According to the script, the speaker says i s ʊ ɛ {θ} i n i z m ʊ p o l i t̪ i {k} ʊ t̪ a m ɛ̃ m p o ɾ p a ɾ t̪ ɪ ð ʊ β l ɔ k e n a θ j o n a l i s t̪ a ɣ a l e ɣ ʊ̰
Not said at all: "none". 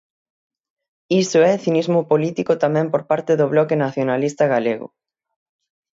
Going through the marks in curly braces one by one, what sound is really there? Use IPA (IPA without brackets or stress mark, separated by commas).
θ, k